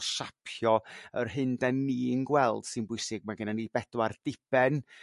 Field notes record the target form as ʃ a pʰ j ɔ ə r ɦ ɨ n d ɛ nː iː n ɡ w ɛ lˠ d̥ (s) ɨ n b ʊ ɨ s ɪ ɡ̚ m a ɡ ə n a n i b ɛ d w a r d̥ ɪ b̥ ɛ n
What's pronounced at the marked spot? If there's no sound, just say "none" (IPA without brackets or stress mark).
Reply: s